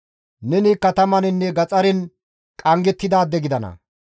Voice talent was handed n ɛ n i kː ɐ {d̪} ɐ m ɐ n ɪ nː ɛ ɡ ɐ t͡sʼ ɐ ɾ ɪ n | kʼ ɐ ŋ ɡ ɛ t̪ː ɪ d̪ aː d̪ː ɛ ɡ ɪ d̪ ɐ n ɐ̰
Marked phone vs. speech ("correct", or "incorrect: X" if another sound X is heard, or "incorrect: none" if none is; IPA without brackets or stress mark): incorrect: t̪